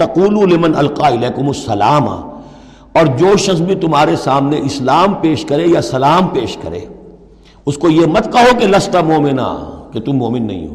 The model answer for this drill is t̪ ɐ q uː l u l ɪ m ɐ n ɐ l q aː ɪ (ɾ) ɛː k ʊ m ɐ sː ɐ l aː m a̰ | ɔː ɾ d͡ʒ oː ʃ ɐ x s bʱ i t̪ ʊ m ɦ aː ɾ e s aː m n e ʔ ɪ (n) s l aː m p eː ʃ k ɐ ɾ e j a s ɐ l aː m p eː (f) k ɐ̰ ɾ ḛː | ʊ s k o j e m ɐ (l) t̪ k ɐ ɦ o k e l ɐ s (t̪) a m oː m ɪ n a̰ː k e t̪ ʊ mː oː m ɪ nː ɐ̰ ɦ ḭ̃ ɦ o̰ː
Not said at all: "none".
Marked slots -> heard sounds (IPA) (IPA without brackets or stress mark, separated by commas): l, none, ʃ, none, t̪